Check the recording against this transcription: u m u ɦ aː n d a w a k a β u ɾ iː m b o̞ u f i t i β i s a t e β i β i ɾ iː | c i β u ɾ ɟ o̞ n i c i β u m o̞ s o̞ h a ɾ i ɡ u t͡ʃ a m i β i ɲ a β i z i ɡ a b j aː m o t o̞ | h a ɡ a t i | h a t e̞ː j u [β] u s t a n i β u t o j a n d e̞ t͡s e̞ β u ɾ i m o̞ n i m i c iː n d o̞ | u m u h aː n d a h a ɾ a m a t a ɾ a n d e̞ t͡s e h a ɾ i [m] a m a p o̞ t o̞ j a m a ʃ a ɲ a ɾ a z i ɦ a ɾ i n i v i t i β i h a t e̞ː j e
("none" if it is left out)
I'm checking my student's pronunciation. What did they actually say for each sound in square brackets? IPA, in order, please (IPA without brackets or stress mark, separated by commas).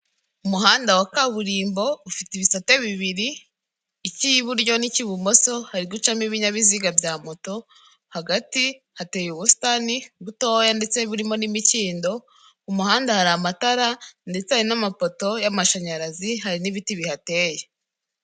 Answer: β, n